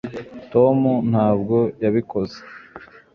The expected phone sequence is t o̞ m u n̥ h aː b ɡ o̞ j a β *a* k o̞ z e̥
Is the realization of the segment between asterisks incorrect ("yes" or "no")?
yes